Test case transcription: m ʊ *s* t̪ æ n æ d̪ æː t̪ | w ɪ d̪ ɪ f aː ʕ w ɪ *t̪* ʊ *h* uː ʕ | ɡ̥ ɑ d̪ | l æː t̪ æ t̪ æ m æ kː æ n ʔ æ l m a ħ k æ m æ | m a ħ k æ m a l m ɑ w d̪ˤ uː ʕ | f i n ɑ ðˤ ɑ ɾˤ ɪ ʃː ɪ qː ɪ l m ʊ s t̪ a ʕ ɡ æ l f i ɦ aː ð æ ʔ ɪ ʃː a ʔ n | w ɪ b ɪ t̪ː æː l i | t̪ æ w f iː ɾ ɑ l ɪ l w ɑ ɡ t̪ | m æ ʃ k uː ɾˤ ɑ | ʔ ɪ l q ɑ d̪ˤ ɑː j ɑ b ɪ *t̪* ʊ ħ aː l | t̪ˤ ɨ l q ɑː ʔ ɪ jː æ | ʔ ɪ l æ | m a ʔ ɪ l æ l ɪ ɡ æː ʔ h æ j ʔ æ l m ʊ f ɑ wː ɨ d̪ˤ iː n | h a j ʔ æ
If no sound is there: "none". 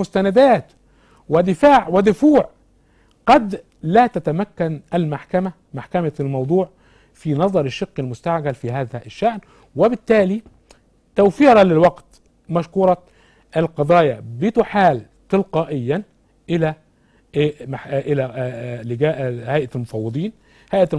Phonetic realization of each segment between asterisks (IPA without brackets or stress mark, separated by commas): s, d̪, f, t̪